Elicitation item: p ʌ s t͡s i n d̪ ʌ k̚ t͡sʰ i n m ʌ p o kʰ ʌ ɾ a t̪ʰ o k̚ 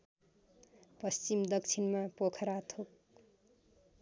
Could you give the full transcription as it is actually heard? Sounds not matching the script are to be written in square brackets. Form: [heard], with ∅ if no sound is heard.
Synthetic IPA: p ʌ s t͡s i [m] d̪ ʌ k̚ t͡sʰ i n m [a] p o kʰ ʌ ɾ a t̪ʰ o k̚